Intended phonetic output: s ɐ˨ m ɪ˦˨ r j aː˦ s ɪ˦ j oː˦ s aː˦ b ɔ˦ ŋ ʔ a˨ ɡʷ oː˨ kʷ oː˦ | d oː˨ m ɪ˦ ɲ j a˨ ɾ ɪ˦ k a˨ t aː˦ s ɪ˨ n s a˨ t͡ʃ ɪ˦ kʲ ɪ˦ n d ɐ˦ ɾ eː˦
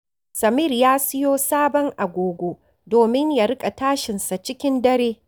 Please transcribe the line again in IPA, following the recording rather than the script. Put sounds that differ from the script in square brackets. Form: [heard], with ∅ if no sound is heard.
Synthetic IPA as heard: s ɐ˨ m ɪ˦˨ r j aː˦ s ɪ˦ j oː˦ s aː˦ b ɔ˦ ŋ ʔ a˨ ɡʷ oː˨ [ɡʷ] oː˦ | d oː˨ m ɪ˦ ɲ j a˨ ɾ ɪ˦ [kʼ] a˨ t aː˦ [ʃ] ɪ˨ n s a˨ t͡ʃ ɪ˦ kʲ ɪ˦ n d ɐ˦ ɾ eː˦